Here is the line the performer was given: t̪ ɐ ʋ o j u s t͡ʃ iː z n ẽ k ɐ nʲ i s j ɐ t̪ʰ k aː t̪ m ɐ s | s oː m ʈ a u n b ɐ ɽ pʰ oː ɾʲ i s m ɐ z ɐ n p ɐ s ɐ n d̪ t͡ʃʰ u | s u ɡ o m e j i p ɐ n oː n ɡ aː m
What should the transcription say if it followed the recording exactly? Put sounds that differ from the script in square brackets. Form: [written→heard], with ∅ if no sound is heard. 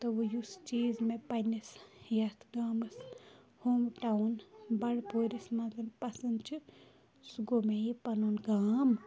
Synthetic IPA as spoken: t̪ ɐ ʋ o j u s t͡ʃ iː z [n→m] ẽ [k→p] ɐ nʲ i s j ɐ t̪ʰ [k→ɡ] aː [t̪→∅] m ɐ s | [s→h] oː m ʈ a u n b ɐ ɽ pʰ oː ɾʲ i s m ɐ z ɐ n p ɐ s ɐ n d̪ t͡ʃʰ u | s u ɡ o m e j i p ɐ n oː n ɡ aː m

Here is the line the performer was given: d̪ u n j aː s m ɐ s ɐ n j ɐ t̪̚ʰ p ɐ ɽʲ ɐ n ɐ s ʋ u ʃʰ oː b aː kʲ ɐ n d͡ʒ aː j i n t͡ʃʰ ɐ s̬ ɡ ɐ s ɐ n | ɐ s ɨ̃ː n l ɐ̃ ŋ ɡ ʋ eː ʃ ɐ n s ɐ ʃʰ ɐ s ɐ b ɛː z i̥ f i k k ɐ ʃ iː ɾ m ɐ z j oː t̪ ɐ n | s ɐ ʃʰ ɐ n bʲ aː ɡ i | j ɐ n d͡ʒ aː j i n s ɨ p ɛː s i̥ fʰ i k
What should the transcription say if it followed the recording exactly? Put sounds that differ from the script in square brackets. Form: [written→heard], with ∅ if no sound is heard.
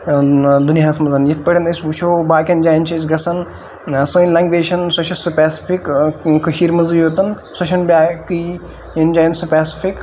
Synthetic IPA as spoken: d̪ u n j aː s m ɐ [s→z] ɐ n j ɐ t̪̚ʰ p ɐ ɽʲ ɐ n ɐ s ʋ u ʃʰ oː b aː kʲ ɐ n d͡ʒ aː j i n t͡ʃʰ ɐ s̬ ɡ ɐ s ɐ n | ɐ s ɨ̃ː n l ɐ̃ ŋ ɡ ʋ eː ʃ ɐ n s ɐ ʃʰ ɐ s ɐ [b→p] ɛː [z→s] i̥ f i k k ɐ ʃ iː ɾ m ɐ z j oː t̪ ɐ n | s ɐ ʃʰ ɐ n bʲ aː [ɡ→k] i | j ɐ n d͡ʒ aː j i n s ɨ p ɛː s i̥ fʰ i k

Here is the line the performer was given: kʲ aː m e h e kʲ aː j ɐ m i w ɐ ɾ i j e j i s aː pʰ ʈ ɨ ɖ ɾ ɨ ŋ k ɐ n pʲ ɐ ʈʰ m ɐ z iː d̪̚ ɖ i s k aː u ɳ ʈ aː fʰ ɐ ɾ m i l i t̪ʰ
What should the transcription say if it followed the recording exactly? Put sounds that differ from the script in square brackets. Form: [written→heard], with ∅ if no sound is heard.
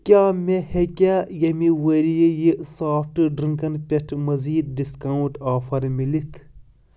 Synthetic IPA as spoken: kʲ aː m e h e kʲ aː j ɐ m i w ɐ ɾ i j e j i s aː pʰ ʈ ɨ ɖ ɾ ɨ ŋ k ɐ n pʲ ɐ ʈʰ m ɐ z iː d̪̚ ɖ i s k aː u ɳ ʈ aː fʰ ɐ ɾ m i l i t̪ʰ

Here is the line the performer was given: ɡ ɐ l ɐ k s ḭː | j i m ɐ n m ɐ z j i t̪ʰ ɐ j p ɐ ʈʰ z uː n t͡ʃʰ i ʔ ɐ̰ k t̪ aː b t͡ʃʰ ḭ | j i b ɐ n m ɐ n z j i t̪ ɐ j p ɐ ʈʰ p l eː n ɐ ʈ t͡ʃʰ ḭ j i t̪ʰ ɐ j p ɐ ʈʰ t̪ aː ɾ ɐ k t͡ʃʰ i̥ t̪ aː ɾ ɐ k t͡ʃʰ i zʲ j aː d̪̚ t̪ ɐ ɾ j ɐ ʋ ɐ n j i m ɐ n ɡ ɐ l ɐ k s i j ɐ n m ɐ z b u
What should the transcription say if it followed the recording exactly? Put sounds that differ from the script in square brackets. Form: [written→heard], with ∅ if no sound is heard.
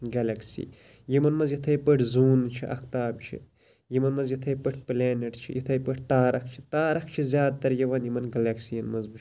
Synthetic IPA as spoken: ɡ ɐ l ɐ k s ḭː | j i m ɐ n m ɐ z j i t̪ʰ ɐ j p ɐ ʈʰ z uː n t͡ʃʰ i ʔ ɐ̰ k t̪ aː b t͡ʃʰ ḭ | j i [b→m] ɐ n m ɐ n z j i [t̪→t̪ʰ] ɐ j p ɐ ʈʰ p l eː n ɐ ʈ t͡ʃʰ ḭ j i t̪ʰ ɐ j p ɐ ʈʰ t̪ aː ɾ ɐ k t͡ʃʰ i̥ t̪ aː ɾ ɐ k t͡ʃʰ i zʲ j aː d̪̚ t̪ ɐ ɾ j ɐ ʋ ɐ n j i m ɐ n ɡ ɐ l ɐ k s i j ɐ n m ɐ z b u

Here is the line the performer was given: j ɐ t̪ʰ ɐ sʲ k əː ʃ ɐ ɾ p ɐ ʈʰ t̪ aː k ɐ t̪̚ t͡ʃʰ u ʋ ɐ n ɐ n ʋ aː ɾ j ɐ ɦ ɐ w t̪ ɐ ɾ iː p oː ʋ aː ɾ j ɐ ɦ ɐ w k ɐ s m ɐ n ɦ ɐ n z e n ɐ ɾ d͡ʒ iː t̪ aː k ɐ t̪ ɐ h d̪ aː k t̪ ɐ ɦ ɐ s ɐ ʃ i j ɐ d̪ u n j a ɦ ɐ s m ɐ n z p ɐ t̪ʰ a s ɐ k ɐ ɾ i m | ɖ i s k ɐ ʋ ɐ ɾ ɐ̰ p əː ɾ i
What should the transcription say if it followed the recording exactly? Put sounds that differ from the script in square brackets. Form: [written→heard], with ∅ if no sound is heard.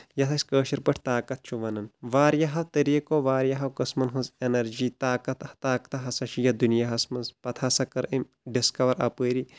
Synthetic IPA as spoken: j ɐ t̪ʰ ɐ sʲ k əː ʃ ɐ ɾ p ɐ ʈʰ t̪ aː k ɐ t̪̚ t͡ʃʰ u ʋ ɐ n ɐ n ʋ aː ɾ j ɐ ɦ ɐ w t̪ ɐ ɾ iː [p→k] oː ʋ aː ɾ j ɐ ɦ ɐ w k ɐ s m ɐ n ɦ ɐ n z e n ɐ ɾ d͡ʒ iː t̪ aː k ɐ t̪ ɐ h [d̪→t̪] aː k t̪ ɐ ɦ ɐ s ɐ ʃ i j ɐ d̪ u n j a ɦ ɐ s m ɐ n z p ɐ t̪ʰ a s ɐ k ɐ ɾ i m | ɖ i s k ɐ ʋ ɐ ɾ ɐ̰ p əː ɾ i

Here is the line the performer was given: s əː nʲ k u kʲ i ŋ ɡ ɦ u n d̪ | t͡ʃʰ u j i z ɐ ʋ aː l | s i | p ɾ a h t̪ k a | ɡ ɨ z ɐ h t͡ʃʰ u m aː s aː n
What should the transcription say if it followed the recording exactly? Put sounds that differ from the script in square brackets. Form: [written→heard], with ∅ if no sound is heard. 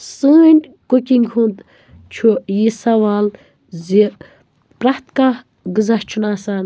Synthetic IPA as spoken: s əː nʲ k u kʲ i ŋ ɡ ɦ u n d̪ | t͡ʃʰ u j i [z→s] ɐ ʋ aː l | [s→z] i | p ɾ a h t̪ k a | ɡ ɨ z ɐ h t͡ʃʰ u [m→n] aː s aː n

